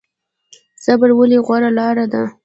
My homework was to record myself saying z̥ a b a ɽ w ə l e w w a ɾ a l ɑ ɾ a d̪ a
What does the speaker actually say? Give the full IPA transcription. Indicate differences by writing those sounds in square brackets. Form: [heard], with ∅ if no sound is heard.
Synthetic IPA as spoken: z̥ a b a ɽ w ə l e [ɣ] w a ɾ a l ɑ ɾ a d̪ a